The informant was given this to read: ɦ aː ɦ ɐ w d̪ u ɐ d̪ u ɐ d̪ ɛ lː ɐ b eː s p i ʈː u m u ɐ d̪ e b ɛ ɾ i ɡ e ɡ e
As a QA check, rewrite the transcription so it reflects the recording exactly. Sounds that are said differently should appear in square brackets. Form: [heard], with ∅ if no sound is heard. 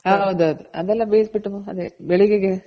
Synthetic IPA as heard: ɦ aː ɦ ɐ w d̪ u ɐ d̪ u ɐ d̪ ɛ lː ɐ b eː s [b] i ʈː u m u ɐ d̪ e b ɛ [ɭ] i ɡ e ɡ e

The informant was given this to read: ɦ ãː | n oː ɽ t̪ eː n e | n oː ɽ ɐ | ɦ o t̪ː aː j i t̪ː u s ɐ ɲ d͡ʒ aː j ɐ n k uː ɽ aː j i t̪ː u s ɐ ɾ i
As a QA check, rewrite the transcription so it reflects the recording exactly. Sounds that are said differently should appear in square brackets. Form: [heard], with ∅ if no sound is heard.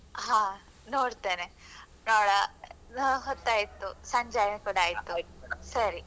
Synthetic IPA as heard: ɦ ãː | n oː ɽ t̪ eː n e | n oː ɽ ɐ | ɦ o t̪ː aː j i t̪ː u s ɐ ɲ d͡ʒ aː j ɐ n k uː ɽ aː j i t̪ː u s ɐ ɾ i

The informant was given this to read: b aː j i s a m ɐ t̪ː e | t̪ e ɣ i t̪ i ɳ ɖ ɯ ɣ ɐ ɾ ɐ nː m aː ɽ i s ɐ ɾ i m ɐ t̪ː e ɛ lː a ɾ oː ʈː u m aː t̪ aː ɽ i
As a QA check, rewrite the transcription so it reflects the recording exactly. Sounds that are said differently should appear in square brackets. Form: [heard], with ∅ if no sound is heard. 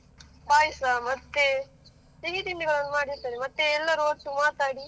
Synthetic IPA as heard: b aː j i s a m ɐ t̪ː e | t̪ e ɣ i t̪ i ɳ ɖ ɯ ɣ ɐ [ɭ] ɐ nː m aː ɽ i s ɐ ɾ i m ɐ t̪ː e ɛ lː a ɾ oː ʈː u m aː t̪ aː ɽ i

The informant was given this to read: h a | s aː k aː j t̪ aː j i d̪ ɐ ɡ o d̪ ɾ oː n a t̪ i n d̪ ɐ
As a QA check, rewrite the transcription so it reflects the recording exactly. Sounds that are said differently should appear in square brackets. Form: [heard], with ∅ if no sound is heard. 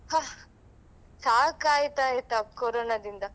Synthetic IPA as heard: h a | s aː k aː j t̪ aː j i [t̪] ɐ [k] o [∅] ɾ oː n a [d̪] i n d̪ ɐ

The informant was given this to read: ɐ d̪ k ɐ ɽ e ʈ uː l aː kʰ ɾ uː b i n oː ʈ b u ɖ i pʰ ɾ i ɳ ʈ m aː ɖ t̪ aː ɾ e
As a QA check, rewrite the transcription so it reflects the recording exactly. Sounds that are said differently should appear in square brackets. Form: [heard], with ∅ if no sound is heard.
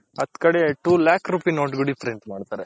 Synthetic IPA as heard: ɐ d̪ k ɐ ɽ e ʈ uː l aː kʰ ɾ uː [p] i n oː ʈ [ɡ] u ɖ i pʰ ɾ [e] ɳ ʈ m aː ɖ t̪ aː ɾ e

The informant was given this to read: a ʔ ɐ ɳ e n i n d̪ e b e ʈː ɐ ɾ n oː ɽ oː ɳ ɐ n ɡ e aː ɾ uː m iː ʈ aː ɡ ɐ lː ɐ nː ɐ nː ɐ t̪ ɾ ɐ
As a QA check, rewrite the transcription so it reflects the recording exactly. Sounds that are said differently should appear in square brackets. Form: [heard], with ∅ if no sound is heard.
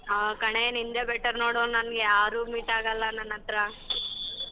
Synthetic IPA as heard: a [k] ɐ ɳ e n i n d̪ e b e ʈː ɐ ɾ n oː ɽ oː [n] ɐ n ɡ e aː ɾ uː m iː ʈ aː ɡ ɐ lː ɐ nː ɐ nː ɐ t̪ ɾ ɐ

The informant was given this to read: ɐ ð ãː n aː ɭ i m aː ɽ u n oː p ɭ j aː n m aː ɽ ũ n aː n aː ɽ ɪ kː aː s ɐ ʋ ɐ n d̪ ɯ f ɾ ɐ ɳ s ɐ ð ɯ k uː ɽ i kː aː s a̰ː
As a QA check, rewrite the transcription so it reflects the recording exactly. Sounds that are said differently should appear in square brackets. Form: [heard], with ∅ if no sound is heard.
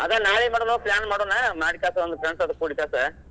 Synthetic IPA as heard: ɐ ð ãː n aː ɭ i m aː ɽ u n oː p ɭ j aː n m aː ɽ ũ n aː [m] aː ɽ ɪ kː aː s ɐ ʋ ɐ n d̪ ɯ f ɾ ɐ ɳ s ɐ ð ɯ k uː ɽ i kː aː s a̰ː

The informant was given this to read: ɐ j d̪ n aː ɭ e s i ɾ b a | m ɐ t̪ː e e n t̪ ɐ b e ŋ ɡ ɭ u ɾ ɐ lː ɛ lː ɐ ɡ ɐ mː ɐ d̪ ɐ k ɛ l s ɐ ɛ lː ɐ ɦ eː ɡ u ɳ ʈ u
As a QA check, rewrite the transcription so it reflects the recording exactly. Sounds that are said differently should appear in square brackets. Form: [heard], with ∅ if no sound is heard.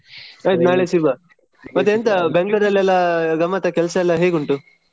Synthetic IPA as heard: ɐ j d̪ n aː ɭ e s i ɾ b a | m ɐ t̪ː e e n t̪ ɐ b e ŋ ɡ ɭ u ɾ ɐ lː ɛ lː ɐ ɡ ɐ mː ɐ [t̪] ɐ k ɛ l s ɐ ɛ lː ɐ ɦ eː ɡ u ɳ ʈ u

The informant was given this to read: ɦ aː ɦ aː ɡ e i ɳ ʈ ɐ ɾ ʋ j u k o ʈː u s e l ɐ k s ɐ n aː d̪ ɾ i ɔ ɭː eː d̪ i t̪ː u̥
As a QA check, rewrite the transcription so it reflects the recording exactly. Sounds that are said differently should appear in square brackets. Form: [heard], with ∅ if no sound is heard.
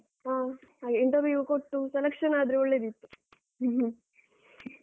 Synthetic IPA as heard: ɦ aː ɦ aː ɡ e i ɳ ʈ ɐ ɾ ʋ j u k o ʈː u s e l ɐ k [ʂ] ɐ n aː d̪ ɾ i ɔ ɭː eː d̪ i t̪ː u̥

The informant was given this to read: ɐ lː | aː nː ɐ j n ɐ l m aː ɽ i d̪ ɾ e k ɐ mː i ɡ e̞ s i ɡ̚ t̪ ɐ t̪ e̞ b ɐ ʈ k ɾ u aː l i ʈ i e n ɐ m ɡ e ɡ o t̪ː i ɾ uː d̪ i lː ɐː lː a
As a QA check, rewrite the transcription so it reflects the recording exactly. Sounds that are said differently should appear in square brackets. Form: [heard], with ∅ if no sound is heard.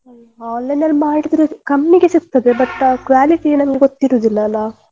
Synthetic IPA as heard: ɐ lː | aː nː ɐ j n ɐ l m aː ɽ i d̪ ɾ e k ɐ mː i ɡ e̞ s i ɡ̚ t̪ ɐ [d̪] e̞ b ɐ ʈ k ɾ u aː l i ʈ i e n ɐ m ɡ e ɡ o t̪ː i ɾ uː d̪ i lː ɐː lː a

